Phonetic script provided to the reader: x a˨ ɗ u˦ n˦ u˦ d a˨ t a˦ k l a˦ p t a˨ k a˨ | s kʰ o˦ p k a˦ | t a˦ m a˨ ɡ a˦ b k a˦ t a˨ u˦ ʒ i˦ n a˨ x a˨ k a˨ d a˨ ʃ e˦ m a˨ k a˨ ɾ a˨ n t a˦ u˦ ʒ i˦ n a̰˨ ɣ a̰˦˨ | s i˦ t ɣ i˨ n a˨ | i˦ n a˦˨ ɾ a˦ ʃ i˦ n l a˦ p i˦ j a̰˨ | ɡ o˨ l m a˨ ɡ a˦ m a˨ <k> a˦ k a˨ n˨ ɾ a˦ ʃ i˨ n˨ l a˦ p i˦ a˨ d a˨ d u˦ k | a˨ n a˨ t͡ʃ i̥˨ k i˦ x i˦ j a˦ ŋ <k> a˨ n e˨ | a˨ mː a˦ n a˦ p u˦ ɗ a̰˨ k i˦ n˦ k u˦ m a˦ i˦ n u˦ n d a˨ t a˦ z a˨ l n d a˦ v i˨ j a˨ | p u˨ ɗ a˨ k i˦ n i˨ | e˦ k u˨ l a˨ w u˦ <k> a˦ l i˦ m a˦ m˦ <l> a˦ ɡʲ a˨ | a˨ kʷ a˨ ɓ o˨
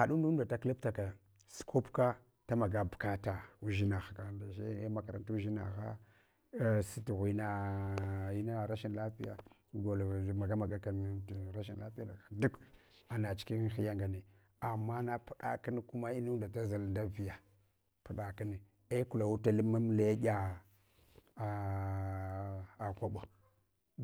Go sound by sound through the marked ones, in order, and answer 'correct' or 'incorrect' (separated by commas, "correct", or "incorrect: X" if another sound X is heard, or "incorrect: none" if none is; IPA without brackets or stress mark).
incorrect: ɡ, incorrect: ɡ, incorrect: t, correct